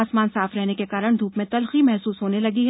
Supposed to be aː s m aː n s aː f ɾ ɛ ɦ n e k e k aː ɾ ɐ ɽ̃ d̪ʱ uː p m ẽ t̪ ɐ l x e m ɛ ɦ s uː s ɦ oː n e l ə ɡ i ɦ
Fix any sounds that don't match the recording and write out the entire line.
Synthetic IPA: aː s m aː n s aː f ɾ ɛ ɦ n e k e k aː ɾ ə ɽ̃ d̪ʱ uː p m ẽ t̪ ɐ l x i m ɛ ɦ s uː s ɦ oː n e l ɐ ɡ i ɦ